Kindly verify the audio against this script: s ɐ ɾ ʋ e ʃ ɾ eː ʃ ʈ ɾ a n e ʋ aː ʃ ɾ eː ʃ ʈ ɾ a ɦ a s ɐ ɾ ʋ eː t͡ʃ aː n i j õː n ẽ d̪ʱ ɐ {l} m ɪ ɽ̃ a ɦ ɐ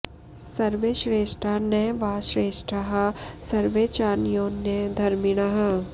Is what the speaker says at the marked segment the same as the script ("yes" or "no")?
no